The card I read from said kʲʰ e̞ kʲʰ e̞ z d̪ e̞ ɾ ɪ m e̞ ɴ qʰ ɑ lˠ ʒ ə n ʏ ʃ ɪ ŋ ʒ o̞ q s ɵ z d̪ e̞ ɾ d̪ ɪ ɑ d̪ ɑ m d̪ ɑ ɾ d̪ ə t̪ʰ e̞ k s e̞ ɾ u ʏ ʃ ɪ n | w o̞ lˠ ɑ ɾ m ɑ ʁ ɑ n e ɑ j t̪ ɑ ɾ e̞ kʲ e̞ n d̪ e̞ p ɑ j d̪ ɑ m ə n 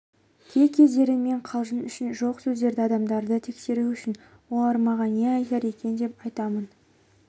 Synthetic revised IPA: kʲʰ e̞ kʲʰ e̞ z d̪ e̞ ɾ ɪ m e̞ ɴ qʰ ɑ lˠ ʒ ə n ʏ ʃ ɪ n ʒ o̞ q s ɵ z d̪ e̞ ɾ d̪ ɪ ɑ d̪ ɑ m d̪ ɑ ɾ d̪ ə t̪ʰ e̞ k s e̞ ɾ u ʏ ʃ ɪ n | w o̞ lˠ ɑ ɾ m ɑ ʁ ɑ n e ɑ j t̪ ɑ ɾ e̞ kʲ e̞ n d̪ e̞ p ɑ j t̪ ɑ m ə n